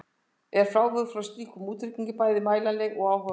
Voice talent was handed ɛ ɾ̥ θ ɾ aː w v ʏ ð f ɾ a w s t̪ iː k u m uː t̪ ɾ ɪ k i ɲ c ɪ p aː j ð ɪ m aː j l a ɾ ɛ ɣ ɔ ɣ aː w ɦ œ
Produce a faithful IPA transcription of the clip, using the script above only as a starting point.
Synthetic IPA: ɛ ɾ̥ f ɾ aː w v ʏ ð f ɾ a w s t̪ iː k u m uː t̪ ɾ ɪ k i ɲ c ɪ p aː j ð ɪ m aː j l a l ɛ ɣ ɔ ɣ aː w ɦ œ